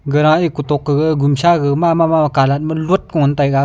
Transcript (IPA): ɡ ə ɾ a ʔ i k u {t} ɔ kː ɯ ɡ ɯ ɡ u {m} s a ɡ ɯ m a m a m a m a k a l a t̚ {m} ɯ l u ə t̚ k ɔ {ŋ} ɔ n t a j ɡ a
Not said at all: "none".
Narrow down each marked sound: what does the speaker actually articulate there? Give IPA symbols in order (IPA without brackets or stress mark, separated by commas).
t, m, m, ŋ